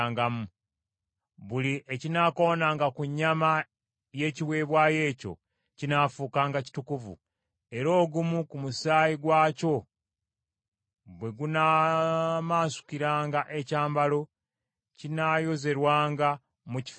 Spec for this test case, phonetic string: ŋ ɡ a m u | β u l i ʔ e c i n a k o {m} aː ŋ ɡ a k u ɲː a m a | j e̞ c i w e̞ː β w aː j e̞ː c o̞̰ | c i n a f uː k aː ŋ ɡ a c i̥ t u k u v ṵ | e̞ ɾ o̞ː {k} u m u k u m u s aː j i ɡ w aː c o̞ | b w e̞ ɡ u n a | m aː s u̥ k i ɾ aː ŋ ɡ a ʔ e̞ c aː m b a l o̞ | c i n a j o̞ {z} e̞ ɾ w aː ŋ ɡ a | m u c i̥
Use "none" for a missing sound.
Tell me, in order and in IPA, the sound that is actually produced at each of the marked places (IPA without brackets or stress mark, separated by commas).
n, ɡ, z